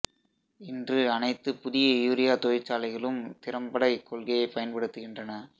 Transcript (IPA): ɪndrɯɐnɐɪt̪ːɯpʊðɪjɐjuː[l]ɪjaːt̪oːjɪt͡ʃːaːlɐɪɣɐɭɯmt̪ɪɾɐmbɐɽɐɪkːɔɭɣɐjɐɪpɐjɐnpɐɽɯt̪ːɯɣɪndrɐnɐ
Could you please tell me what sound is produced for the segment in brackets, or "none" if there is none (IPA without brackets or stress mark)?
ɾ